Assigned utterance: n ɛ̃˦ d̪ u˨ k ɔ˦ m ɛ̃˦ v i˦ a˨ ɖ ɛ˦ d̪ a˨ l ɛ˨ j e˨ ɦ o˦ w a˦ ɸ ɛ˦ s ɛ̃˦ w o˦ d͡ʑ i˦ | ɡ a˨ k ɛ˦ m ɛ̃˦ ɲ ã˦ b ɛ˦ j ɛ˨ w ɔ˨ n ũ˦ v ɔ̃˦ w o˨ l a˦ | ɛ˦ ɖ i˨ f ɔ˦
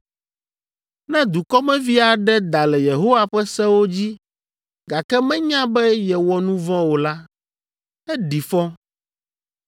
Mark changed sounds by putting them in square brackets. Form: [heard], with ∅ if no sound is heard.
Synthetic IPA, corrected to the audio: n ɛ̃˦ d̪ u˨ k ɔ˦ m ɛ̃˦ v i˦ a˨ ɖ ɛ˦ d̪ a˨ l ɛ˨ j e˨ ɦ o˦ w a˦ ɸ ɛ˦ s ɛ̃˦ w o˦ d͡ʑ i˦ | ɡ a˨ k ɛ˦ m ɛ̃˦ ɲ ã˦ b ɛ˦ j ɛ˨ w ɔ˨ n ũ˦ v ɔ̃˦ w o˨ l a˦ | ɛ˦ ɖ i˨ f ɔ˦